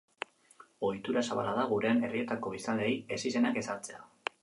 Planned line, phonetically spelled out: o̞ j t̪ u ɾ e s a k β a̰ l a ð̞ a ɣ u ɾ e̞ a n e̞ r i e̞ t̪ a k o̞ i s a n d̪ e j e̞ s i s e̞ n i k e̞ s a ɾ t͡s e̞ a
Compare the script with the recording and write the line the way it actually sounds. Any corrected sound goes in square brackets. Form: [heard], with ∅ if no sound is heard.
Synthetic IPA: o̞ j t̪ u ɾ [a] s a [∅] β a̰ l a ð̞ a ɣ u ɾ e̞ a n e̞ r i e̞ t̪ a k o̞ i s a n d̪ e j e̞ s i s e̞ n [a] k e̞ s a ɾ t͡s e̞ a